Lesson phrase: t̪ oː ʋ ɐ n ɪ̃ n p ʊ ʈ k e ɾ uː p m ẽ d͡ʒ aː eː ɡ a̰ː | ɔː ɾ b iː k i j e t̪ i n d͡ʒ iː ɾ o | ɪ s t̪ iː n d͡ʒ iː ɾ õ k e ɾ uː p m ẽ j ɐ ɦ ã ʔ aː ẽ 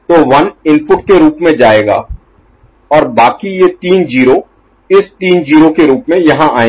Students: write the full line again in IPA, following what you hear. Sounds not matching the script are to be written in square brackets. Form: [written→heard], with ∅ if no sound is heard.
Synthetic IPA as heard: t̪ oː ʋ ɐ n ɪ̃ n p ʊ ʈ k e ɾ uː p m ẽ d͡ʒ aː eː ɡ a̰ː | ɔː ɾ b [iː→aː] k i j e t̪ [i→iː] n d͡ʒ iː ɾ o | ɪ s t̪ iː n d͡ʒ iː ɾ [õ→o] k e ɾ uː p m ẽ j ɐ ɦ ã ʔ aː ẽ